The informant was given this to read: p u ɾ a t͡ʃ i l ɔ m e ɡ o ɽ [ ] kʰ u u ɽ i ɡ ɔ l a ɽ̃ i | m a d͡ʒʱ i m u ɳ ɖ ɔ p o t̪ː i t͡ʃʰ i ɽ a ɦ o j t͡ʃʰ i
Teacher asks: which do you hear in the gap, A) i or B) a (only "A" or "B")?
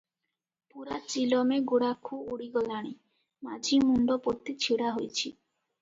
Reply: B